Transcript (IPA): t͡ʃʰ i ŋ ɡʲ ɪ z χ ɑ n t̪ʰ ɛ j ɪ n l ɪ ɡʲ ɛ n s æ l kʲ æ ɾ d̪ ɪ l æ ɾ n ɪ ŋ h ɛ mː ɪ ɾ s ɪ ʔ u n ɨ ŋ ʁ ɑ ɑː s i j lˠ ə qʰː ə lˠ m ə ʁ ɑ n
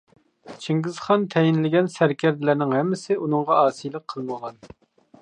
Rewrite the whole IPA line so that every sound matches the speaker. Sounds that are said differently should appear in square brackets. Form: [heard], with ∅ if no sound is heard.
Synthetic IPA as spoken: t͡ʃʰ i ŋ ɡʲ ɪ z χ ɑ n t̪ʰ ɛ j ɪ n l ɪ ɡʲ ɛ n s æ [ɾ] kʲ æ ɾ d̪ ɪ l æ ɾ n ɪ ŋ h ɛ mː ɪ [∅] s ɪ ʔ u n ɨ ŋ ʁ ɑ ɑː s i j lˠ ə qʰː ə lˠ m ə ʁ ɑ n